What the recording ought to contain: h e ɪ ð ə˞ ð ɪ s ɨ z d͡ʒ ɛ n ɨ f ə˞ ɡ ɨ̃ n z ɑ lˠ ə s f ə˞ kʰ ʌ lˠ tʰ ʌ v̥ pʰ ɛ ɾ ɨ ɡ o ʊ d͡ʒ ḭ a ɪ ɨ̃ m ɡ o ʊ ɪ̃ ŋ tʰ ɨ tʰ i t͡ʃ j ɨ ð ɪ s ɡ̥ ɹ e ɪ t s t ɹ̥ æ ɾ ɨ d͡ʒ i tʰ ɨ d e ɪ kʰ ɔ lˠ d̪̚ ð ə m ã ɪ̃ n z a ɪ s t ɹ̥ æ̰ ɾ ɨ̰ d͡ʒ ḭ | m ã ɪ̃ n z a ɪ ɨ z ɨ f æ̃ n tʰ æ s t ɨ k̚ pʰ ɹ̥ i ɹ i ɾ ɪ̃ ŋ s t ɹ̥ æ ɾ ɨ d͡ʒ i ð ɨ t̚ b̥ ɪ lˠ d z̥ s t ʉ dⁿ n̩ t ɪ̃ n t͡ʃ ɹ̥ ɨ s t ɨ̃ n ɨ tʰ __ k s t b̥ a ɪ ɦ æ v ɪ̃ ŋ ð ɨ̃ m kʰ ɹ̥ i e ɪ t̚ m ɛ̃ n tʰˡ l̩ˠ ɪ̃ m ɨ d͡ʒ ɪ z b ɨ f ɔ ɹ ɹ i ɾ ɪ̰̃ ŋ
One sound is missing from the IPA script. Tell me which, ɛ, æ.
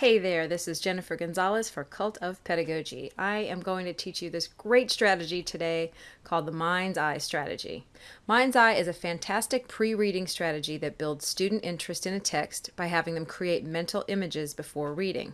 ɛ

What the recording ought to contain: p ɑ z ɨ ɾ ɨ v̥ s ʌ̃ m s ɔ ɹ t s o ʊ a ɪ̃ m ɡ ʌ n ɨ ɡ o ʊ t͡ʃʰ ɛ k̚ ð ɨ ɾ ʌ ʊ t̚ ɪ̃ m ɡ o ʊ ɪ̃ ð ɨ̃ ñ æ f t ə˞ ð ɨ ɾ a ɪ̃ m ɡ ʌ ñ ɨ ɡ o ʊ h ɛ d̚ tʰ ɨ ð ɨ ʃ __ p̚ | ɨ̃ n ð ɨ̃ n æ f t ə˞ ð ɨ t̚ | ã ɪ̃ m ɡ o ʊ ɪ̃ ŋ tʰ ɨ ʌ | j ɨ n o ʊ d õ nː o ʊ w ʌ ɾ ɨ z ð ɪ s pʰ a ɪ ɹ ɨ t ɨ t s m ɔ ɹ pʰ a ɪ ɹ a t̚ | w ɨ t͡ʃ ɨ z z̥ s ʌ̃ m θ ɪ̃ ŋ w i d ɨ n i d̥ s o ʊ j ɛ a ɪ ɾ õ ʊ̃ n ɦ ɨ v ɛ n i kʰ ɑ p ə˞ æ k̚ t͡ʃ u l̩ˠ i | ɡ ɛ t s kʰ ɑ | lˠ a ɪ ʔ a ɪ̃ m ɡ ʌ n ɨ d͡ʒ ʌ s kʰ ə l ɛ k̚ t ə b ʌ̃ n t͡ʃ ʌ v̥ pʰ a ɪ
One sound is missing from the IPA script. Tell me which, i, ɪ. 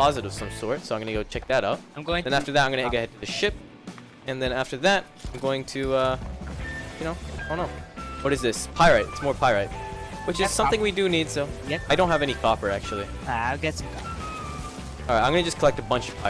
ɪ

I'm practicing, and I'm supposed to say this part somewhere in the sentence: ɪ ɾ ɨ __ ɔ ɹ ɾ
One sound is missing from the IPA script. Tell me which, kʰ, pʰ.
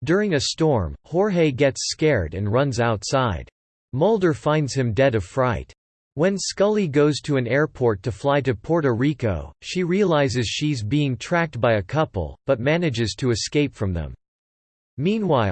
pʰ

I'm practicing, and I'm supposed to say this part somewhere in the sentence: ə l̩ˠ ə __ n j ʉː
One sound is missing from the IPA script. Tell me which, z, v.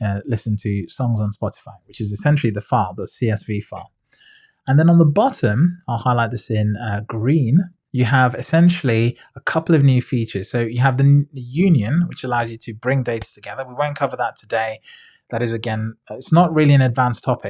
v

